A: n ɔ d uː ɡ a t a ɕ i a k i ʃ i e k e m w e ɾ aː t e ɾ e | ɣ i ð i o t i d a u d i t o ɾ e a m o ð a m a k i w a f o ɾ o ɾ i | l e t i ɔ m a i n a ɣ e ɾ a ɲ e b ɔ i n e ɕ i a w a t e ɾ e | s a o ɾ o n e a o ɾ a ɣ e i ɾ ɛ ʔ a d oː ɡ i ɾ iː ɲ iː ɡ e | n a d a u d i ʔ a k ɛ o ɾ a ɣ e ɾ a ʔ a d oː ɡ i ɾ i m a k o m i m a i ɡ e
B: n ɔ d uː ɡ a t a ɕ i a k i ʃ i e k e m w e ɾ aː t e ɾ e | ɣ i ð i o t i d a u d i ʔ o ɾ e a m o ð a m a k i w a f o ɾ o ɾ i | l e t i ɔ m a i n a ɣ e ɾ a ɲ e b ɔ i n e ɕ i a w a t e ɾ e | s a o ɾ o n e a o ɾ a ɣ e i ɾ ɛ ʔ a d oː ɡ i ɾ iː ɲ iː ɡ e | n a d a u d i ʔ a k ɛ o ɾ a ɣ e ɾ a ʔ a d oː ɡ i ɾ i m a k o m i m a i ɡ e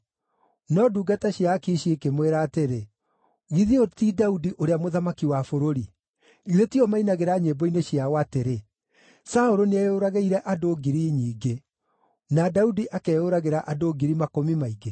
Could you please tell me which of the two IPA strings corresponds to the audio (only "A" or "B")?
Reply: B